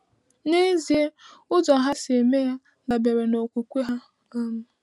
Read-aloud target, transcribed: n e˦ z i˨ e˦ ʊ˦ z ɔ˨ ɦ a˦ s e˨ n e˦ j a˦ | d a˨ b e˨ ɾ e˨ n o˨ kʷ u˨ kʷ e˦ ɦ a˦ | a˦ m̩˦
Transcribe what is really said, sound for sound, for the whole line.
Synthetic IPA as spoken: n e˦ z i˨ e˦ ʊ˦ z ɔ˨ ɦ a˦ s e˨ m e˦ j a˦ | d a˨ b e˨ ɾ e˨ n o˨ kʷ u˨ kʷ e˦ ɦ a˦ | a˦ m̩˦

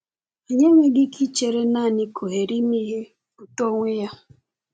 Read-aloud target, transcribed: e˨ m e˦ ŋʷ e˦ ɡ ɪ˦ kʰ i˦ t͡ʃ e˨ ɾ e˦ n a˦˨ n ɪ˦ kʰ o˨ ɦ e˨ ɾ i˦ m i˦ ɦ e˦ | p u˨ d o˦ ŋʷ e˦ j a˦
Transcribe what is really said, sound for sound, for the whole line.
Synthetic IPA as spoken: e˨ ɲ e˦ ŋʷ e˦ ɡ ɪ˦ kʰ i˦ t͡ʃ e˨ ɾ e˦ n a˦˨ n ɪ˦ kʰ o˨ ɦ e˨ ɾ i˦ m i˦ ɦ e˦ | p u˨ t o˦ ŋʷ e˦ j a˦

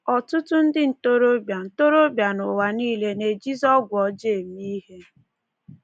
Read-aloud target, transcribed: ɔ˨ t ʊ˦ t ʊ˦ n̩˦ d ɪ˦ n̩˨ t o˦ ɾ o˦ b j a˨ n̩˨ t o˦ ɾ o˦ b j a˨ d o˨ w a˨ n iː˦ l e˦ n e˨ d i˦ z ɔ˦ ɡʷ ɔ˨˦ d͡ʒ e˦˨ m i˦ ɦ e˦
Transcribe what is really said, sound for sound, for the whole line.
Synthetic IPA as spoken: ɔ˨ t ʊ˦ t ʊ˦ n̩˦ d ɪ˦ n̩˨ t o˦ ɾ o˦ b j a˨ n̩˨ t o˦ ɾ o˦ b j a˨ n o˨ w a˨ n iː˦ l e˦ n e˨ d͡ʒ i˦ z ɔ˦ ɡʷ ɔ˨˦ d͡ʒ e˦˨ m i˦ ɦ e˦

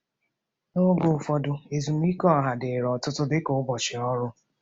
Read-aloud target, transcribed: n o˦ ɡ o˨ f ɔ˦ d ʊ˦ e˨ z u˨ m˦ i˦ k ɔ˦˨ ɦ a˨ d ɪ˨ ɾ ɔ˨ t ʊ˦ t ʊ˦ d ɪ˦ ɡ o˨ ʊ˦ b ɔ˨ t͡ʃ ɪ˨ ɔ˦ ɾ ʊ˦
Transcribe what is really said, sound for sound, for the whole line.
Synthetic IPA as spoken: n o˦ ɡ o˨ f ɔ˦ d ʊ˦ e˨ z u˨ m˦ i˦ k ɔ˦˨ ɦ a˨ d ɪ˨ ɾ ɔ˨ t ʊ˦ t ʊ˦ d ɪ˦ k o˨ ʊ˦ b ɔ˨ t͡ʃ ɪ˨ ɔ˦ ɾ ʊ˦

